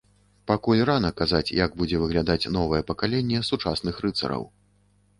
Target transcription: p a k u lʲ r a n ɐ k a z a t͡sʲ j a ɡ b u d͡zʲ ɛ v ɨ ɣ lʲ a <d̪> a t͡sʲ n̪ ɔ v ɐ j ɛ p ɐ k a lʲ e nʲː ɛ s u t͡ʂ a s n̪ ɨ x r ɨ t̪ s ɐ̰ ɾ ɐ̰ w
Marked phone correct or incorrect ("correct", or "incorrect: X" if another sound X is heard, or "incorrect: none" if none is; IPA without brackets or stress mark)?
correct